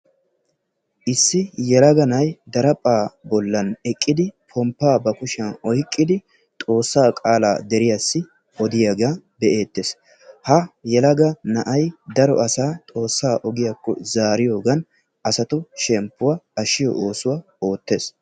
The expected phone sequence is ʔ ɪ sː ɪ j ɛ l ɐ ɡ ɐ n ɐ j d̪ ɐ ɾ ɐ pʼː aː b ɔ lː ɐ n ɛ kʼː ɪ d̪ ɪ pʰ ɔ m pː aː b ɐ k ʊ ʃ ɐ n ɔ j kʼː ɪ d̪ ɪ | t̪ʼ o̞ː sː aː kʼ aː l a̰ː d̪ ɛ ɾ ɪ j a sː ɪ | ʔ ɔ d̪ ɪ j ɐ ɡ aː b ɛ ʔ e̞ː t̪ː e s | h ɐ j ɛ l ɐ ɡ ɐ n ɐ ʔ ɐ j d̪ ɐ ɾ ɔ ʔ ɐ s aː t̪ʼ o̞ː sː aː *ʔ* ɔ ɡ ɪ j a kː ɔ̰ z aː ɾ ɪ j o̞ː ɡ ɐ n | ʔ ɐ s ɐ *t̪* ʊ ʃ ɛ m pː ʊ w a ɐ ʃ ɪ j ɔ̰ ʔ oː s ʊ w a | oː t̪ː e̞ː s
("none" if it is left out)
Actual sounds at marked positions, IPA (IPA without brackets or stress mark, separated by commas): ʔ, t̪